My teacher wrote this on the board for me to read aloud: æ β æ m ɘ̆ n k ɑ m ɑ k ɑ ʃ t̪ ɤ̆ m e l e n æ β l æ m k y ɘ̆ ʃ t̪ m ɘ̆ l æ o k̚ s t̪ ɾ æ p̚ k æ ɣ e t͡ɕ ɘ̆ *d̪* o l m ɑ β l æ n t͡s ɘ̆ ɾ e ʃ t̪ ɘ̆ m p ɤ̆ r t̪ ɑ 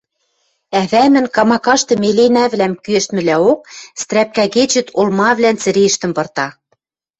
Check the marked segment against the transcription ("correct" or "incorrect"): incorrect